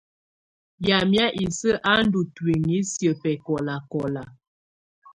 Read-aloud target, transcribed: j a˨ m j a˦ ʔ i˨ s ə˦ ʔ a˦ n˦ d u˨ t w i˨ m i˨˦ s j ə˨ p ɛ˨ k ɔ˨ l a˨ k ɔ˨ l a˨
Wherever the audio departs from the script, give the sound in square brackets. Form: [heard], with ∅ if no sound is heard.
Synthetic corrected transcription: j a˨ m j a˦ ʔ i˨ s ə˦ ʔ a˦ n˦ d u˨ t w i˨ [ŋ] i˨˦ s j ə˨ p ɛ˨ k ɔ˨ l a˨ k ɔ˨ l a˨